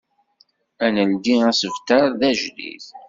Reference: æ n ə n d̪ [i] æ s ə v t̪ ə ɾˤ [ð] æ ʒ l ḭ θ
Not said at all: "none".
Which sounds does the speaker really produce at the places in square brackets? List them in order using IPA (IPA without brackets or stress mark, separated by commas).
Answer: i, ð